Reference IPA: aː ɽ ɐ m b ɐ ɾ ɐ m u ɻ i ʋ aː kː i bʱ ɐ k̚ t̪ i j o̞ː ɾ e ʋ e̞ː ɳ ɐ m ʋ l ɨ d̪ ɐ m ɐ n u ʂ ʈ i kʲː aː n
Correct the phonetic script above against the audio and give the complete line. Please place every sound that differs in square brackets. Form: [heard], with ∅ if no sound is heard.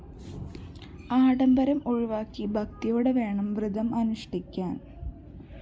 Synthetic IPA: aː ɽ ɐ m b ɐ ɾ ɐ m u ɻ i ʋ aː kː i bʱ ɐ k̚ t̪ i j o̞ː [ɽ] e ʋ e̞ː ɳ ɐ m ʋ [r] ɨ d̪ ɐ m ɐ n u ʂ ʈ i kʲː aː n